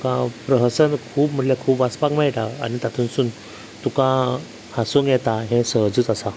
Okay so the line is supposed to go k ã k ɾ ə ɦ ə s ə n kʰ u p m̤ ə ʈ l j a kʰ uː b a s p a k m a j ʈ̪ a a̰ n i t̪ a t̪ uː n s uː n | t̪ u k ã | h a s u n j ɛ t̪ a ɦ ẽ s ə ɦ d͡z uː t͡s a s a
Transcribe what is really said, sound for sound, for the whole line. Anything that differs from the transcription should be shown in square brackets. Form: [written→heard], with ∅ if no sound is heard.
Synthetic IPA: k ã [k→p] ɾ ə ɦ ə s ə n kʰ [u→uː] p m̤ ə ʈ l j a kʰ uː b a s p a k m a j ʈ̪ a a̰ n i t̪ a [t̪→t̪ʰ] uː n s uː n | t̪ u k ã | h a s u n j ɛ t̪ a ɦ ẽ s ə ɦ d͡z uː t͡s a s a